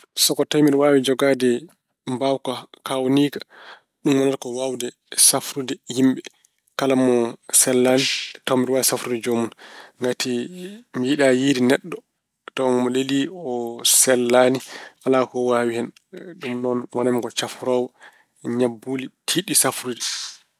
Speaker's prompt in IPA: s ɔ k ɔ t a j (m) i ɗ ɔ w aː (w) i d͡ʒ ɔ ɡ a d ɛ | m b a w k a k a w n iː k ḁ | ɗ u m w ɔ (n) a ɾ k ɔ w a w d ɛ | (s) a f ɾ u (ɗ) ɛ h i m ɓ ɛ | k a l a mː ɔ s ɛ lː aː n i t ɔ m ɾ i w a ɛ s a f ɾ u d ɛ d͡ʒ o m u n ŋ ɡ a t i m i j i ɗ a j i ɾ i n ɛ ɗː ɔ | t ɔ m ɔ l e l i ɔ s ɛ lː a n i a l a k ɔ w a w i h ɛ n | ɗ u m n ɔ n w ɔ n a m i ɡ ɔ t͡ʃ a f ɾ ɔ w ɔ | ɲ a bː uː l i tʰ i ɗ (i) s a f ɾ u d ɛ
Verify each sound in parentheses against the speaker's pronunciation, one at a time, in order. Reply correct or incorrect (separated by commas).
correct, correct, correct, correct, incorrect, correct